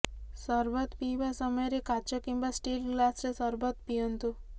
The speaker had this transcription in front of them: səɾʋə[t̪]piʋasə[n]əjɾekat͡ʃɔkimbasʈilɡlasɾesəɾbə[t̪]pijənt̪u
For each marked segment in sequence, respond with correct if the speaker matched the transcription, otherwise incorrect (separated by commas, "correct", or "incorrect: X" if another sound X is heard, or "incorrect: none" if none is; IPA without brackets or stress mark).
correct, incorrect: m, correct